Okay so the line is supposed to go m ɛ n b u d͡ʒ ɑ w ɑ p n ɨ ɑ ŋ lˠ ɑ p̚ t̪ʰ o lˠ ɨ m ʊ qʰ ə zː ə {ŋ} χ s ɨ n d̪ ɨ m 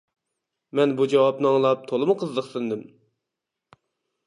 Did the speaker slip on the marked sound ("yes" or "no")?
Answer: yes